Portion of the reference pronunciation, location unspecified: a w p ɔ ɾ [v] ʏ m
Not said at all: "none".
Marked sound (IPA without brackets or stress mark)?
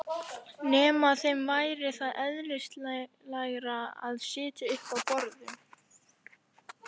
ð